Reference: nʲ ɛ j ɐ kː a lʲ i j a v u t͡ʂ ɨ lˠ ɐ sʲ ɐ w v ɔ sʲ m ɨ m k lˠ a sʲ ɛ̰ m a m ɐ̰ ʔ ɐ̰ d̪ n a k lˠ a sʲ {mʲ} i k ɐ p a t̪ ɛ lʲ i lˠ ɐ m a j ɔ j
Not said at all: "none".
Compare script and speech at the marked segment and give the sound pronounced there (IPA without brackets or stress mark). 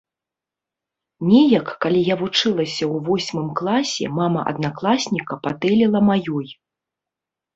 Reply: nʲ